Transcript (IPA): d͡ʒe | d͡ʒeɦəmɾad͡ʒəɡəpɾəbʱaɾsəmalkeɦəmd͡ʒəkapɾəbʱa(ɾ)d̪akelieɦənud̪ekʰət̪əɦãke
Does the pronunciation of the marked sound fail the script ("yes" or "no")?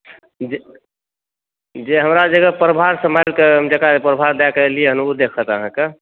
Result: no